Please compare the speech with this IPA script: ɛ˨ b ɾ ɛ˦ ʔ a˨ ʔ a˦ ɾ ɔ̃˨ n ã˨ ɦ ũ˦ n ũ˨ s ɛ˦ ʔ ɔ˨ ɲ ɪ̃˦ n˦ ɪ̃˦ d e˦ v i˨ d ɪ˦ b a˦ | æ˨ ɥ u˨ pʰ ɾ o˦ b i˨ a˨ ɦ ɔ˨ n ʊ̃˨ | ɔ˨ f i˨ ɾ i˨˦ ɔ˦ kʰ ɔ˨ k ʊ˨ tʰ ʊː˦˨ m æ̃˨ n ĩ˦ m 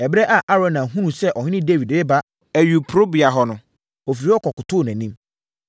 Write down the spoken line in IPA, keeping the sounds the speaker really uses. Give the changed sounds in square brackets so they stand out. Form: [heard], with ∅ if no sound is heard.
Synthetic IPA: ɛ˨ b ɾ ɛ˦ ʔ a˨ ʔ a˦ ɾ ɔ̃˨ n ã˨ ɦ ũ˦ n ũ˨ s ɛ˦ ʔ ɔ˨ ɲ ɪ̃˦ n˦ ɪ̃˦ d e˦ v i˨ d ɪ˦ b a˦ | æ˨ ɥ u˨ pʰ ɾ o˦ b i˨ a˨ ɦ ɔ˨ n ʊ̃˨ | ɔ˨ f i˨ ɾ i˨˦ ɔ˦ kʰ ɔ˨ k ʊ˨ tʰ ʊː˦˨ [n] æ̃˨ n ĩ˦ m